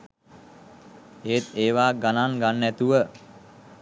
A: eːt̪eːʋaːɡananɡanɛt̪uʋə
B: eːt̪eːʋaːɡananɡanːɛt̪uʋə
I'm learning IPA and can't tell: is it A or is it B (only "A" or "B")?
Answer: B